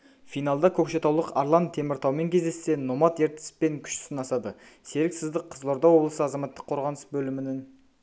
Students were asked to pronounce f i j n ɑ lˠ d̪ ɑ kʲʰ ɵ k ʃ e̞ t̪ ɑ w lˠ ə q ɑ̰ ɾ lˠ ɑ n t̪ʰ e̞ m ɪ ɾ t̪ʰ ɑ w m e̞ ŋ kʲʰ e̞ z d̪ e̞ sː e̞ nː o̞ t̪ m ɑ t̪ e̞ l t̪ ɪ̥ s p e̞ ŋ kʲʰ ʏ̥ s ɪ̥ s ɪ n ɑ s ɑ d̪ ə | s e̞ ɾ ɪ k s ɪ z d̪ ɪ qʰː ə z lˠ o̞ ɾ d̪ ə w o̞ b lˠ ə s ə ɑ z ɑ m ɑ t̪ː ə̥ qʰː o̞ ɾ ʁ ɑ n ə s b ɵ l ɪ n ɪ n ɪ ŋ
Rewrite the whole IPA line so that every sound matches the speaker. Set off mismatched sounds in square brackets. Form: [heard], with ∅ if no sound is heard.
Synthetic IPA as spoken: f i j n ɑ lˠ d̪ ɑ kʲʰ ɵ k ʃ e̞ t̪ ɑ w lˠ ə q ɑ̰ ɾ lˠ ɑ n t̪ʰ e̞ m ɪ ɾ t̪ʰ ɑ w m e̞ ŋ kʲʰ e̞ z d̪ e̞ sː e̞ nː o̞ [∅] m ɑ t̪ e̞ [ɾ] t̪ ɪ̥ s p e̞ ŋ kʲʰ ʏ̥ [ʃ] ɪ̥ s ɪ n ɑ s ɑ d̪ ə | s e̞ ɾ ɪ k s ɪ z d̪ ɪ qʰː ə z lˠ o̞ ɾ d̪ [ɑ] w o̞ b lˠ ə s ə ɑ z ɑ m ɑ t̪ː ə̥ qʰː o̞ ɾ ʁ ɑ n ə s b ɵ l ɪ [m] ɪ n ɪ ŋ